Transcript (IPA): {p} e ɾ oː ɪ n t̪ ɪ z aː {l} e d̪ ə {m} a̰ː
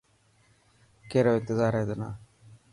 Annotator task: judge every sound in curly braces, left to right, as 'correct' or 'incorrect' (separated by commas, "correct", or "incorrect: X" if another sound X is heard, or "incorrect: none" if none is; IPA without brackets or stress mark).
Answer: incorrect: k, incorrect: ɾ, incorrect: n